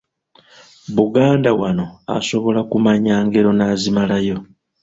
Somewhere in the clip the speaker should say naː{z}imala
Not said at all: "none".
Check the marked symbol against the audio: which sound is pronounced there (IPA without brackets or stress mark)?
z